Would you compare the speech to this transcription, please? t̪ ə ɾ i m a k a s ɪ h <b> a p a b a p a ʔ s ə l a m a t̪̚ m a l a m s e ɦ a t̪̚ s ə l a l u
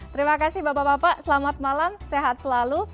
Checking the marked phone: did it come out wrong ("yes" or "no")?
no